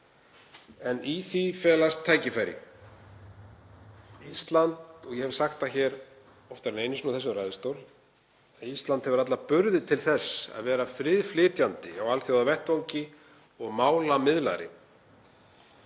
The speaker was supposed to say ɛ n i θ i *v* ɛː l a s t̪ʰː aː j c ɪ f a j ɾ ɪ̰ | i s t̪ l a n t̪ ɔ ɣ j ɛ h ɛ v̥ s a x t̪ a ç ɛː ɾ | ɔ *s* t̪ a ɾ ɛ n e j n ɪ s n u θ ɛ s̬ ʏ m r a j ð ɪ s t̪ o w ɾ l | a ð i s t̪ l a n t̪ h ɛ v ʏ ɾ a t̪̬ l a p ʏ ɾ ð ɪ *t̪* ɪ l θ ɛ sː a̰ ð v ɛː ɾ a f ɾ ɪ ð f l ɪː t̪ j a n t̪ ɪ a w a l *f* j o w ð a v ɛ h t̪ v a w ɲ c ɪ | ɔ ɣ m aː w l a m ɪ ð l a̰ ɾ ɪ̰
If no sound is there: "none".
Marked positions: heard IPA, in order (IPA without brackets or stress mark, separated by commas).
f, f, t̪ʰ, θ